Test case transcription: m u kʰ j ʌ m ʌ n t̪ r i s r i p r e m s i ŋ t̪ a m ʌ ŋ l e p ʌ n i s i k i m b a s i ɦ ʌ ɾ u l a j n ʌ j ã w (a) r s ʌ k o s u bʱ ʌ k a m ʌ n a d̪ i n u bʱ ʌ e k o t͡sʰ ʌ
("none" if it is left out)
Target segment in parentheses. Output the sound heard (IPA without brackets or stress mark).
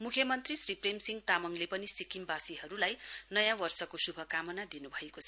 ʌ